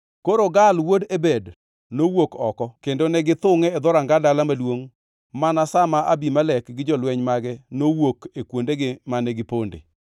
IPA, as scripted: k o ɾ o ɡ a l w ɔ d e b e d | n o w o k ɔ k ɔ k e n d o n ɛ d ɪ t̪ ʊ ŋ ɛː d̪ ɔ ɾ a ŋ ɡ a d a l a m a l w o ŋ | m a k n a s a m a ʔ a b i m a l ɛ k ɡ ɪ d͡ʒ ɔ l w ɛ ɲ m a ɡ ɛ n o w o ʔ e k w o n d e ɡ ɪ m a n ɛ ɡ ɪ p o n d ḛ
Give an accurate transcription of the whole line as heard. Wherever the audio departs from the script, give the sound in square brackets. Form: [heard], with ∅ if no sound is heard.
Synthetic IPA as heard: k o ɾ o ɡ a l w [o] d e b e d | n o w o k ɔ k ɔ k e n d o n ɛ [ɡ] ɪ t̪ ʊ ŋ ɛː d̪ ɔ ɾ a ŋ ɡ a d a l a m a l w o ŋ | m a [∅] n a s a m a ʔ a b i m a l ɛ k ɡ ɪ d͡ʒ ɔ l w ɛ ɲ m a ɡ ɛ n o w o [k] e k w o n d e ɡ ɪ m a n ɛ ɡ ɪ p o n d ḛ

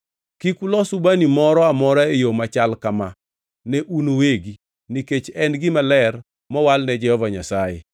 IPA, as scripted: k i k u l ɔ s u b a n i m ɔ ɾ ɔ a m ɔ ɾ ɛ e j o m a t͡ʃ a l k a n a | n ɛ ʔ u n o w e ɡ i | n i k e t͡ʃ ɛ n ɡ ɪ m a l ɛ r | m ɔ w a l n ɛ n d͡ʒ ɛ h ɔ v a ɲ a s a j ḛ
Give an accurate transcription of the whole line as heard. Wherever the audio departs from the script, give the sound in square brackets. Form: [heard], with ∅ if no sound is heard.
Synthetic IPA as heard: k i k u l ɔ s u b a n i m ɔ ɾ ɔ a m ɔ ɾ [a] e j o m a t͡ʃ a l k a [m] a | n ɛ ʔ u n o w e ɡ i | n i k e t͡ʃ ɛ n ɡ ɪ m a l ɛ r | m ɔ w a l n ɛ [∅] d͡ʒ ɛ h ɔ v a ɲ a s a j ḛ

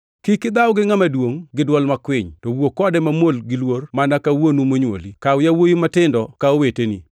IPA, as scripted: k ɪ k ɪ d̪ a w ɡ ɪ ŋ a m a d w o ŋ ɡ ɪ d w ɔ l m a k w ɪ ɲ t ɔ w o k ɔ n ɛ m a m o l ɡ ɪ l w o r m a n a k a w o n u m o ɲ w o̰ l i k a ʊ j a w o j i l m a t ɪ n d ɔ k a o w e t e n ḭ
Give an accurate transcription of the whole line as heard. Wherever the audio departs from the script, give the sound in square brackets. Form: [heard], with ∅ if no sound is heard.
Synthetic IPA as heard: k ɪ k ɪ d̪ a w ɡ ɪ ŋ a m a d w o ŋ ɡ ɪ d w ɔ l m a k w ɪ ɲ t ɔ w o k ɔ [d] ɛ m a m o l ɡ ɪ l w o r m a n a k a w o n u m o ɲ w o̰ l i k a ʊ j a w o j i [∅] m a t ɪ n d ɔ k a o w e t e n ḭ

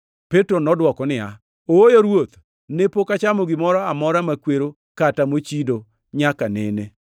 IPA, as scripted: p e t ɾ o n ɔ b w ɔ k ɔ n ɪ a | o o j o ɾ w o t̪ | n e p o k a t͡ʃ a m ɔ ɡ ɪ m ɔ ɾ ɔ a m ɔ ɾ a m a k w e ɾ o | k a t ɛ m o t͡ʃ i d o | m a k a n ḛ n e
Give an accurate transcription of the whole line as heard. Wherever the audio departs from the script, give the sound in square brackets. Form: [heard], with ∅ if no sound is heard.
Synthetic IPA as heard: p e t ɾ o n ɔ [d] w ɔ k ɔ n ɪ a | o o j o ɾ w o t̪ | n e p o k a t͡ʃ a m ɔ ɡ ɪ m ɔ ɾ ɔ a m ɔ ɾ a m a k w e ɾ o | k a t [a] m o t͡ʃ i d o | [ɲ] a k a n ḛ n e

